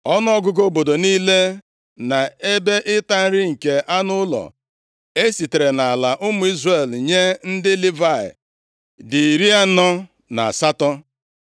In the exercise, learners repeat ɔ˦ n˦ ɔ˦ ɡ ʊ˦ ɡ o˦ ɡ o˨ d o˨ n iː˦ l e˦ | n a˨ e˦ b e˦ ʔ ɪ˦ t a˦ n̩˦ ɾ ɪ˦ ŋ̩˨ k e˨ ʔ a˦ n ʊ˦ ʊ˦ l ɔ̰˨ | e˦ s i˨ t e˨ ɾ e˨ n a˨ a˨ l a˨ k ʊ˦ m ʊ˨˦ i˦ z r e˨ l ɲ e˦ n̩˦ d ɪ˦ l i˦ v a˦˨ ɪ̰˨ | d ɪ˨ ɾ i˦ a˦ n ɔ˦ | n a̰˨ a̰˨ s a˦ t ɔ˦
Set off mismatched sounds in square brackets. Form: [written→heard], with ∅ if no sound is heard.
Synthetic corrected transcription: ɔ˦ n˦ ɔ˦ ɡ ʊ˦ ɡ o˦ [ɡ→b] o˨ d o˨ n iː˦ l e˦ | n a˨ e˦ b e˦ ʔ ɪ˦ t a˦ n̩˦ ɾ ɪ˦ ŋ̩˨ k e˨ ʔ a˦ n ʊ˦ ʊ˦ l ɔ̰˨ | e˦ s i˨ t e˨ ɾ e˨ n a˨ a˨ l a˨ [k→ʔ] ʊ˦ m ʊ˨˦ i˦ z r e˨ l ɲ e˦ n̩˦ d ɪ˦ l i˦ v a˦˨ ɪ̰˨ | d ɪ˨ ɾ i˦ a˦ n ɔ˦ | n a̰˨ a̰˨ s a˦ t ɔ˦